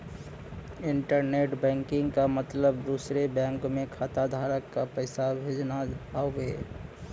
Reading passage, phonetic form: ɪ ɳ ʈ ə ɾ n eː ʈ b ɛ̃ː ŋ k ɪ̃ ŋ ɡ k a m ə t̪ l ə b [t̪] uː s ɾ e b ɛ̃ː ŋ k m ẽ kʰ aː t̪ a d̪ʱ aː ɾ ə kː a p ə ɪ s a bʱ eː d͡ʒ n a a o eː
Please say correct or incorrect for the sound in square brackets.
incorrect: d̪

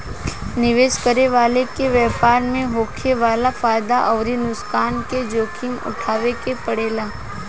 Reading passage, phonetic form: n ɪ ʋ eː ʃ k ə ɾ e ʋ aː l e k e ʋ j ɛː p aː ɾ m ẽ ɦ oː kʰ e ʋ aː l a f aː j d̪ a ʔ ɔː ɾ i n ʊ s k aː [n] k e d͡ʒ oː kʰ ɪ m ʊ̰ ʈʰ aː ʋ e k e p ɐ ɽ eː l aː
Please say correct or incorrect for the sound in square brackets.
correct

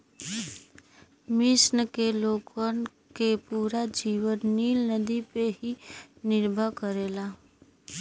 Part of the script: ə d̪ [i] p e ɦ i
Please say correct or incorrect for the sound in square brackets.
correct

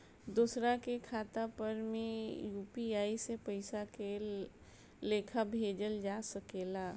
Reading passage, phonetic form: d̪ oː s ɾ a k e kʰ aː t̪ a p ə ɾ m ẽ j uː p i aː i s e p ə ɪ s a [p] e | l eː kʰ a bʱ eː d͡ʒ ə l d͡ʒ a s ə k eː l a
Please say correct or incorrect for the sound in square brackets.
incorrect: k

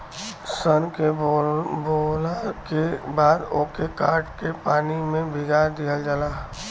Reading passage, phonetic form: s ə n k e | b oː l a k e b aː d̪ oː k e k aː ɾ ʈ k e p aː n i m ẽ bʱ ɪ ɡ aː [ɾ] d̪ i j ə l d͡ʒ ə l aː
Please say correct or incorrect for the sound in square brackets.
correct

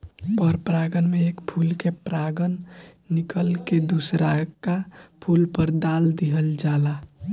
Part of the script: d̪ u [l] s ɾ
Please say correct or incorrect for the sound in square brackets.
incorrect: none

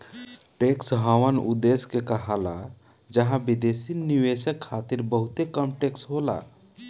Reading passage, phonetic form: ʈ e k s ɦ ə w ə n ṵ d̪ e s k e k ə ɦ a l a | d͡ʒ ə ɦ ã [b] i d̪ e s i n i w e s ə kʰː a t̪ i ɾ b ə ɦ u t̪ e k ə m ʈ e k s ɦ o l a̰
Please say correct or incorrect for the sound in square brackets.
correct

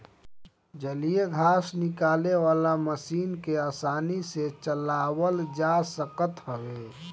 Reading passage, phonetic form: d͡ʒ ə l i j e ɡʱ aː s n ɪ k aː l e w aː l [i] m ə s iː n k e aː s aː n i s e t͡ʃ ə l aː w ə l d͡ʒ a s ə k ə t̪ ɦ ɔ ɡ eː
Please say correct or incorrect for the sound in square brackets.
incorrect: a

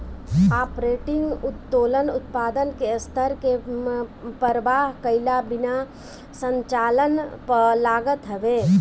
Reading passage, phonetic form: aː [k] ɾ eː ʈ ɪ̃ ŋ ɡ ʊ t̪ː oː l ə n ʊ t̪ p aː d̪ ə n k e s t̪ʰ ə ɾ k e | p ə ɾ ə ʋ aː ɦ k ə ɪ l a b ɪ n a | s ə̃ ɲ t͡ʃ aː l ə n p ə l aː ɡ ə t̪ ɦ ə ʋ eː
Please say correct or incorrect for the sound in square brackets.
incorrect: p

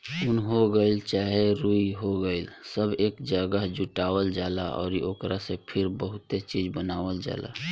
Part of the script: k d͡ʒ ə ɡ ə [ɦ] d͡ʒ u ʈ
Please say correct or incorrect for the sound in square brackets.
correct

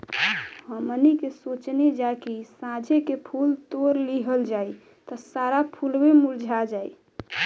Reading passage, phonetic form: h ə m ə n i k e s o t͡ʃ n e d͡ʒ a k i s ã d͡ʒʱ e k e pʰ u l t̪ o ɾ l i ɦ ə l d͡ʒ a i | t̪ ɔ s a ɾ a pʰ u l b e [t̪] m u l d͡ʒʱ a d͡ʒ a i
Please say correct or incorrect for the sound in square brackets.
incorrect: none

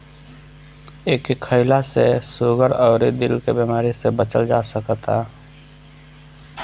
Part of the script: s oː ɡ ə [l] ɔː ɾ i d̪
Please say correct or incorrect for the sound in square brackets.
incorrect: ɾ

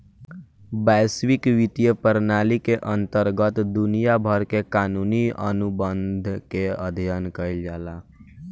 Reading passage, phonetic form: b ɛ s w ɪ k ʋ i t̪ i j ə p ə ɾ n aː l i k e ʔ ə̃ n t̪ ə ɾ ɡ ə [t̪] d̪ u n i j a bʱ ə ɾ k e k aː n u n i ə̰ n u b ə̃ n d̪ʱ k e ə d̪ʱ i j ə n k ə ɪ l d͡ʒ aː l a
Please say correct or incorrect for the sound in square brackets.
correct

